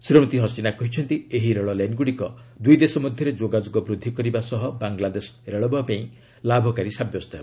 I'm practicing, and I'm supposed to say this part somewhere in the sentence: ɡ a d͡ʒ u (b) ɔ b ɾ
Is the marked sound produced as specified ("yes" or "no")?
no